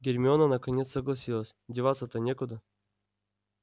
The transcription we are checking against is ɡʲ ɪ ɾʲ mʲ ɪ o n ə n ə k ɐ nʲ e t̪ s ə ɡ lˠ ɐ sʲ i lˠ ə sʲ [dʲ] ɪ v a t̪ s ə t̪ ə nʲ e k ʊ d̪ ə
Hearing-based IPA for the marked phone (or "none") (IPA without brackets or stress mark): dʲ